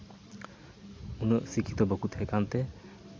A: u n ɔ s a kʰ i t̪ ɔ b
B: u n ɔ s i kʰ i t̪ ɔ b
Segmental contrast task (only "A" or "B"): B